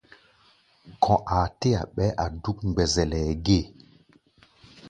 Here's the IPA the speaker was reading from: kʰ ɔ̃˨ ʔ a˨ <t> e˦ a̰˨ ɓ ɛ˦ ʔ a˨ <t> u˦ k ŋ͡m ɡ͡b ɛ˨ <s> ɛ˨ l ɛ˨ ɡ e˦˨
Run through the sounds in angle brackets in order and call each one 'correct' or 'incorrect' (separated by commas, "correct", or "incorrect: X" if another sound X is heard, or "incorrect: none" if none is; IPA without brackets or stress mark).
correct, incorrect: d, incorrect: z